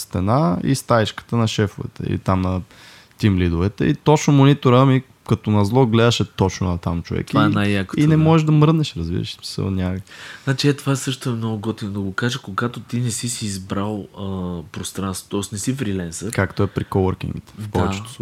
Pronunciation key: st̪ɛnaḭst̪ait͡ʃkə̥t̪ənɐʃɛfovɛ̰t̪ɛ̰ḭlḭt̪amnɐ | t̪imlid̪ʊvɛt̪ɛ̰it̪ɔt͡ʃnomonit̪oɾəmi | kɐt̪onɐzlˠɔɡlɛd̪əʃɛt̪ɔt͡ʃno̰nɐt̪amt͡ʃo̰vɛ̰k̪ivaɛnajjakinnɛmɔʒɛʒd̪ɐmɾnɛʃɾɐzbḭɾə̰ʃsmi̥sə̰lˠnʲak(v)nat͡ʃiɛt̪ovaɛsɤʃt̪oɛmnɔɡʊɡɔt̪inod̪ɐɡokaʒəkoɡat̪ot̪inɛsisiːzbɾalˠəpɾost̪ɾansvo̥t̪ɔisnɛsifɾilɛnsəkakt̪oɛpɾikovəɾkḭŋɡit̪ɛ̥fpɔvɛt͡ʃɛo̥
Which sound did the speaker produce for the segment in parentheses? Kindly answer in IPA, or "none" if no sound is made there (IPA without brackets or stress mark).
z